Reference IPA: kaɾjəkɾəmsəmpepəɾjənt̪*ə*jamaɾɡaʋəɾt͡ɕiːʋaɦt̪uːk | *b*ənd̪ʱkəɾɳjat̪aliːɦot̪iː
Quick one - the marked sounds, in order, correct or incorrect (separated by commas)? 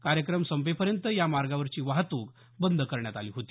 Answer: correct, correct